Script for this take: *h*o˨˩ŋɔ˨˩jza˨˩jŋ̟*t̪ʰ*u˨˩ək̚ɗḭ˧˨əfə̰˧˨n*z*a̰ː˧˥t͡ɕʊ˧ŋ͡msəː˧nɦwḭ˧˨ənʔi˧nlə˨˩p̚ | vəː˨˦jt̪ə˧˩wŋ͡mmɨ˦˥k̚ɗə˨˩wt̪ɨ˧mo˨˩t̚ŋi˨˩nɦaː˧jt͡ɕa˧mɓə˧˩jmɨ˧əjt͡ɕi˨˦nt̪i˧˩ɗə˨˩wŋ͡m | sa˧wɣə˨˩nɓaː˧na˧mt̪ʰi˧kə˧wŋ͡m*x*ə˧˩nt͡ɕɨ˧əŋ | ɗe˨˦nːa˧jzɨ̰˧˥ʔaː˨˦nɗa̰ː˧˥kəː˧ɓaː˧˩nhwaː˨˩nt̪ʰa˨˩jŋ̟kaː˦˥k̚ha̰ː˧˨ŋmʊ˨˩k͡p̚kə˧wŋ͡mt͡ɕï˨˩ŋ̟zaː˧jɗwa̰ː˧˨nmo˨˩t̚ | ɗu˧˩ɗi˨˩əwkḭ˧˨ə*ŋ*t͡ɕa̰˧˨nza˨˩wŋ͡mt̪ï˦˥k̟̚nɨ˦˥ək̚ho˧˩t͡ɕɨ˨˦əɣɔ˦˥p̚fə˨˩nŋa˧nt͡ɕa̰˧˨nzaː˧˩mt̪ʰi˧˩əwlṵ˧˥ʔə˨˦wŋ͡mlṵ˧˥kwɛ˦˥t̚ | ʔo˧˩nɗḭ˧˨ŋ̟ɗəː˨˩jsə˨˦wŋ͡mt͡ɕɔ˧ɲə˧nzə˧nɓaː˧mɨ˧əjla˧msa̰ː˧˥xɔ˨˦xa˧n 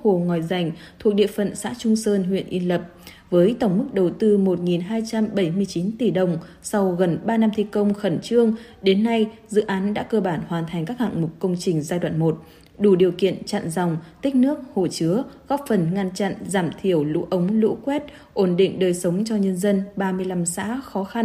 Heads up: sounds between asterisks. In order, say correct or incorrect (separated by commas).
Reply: correct, correct, incorrect, correct, incorrect